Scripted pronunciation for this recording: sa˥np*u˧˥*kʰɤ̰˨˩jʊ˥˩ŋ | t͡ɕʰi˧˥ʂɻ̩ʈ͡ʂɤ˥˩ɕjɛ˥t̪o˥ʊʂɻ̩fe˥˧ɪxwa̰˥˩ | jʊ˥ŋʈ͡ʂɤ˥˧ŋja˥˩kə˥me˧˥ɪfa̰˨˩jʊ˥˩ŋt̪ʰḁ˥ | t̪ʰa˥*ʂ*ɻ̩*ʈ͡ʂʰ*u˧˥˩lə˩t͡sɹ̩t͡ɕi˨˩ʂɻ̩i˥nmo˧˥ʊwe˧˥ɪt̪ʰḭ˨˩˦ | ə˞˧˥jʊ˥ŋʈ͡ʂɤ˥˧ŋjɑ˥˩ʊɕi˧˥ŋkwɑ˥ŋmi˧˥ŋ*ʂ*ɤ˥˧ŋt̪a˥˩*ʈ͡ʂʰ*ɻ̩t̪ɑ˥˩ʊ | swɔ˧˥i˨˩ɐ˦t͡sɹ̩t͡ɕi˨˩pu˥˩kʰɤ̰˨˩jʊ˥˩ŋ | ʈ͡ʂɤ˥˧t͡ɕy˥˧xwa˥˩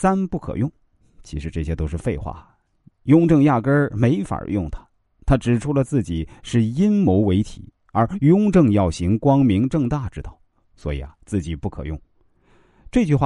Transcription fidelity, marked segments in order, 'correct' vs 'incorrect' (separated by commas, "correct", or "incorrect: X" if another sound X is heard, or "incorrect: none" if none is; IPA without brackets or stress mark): incorrect: u˥˩, incorrect: ʈ͡ʂ, correct, incorrect: ʈ͡ʂ, incorrect: ʈ͡ʂ